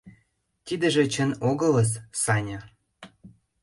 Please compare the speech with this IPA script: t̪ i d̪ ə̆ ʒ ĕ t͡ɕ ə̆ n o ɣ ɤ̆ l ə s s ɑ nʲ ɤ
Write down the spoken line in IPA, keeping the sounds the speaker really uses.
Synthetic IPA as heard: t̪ i d̪ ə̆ ʒ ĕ t͡ɕ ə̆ n o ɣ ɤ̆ l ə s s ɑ nʲ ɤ